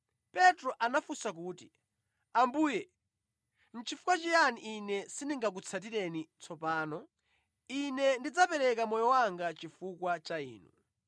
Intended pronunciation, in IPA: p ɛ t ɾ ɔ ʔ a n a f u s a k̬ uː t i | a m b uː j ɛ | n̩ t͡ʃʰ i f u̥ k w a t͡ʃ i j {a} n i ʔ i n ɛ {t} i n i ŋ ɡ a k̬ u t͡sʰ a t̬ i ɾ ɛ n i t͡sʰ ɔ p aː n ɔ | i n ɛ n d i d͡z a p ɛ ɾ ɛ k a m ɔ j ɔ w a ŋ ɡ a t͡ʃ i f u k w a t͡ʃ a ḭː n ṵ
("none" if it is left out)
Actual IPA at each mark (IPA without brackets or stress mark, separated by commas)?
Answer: a, s